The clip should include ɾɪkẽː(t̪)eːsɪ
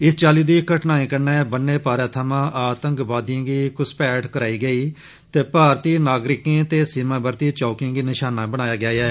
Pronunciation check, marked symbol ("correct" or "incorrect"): correct